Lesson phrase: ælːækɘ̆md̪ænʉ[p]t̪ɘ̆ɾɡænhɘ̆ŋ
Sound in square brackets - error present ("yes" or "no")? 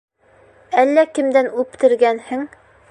no